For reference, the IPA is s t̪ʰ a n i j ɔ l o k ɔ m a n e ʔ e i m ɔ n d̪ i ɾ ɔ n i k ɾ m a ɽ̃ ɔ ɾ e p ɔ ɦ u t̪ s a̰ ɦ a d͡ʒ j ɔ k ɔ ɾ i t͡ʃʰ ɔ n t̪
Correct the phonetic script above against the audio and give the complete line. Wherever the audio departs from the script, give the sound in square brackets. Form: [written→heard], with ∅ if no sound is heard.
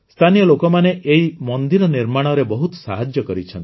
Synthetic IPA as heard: s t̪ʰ a n i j ɔ l o k ɔ m a n e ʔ e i m ɔ n d̪ i ɾ ɔ n i [k→∅] ɾ m a ɽ̃ ɔ ɾ e [p→b] ɔ ɦ u t̪ s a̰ ɦ a d͡ʒ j ɔ k ɔ ɾ i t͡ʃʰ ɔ n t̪